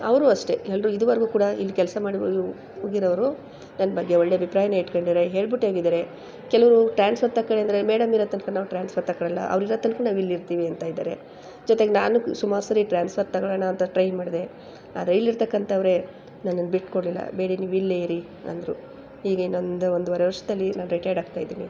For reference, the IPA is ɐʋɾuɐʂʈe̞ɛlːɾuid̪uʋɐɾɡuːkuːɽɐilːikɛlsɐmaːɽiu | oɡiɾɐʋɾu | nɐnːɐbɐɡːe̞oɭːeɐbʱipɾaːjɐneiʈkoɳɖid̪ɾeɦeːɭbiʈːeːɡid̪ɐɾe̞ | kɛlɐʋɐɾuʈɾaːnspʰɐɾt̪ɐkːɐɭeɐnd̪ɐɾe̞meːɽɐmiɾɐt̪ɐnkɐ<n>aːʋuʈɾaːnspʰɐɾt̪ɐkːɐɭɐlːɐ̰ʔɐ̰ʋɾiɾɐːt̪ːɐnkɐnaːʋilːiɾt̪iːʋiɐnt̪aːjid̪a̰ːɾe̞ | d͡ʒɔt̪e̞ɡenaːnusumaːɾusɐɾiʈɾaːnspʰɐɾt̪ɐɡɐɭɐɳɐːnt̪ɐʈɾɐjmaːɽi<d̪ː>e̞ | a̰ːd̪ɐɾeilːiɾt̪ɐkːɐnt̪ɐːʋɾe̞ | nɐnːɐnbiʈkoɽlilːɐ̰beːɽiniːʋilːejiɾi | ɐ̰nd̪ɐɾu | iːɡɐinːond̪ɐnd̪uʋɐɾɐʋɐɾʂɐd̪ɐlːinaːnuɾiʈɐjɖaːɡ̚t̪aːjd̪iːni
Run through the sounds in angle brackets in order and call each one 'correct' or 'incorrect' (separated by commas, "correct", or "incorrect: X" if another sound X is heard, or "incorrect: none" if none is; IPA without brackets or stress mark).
correct, incorrect: d̪